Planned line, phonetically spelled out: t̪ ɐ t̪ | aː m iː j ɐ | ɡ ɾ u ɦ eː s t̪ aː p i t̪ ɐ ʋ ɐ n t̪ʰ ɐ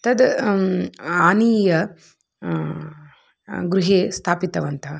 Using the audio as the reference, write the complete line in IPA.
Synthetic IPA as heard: t̪ ɐ d̪ | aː n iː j ɐ | ɡ ɾ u ɦ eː s t̪ʰ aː p i t̪ ɐ ʋ ɐ n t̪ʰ ɐ